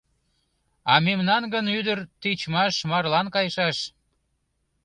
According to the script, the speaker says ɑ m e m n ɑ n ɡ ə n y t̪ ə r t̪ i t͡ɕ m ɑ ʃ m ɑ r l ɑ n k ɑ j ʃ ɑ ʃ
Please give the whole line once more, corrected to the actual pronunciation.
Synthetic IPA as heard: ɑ m e m n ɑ n ɡ ə n y d̪ ə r t̪ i t͡ɕ m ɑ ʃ m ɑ r l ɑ n k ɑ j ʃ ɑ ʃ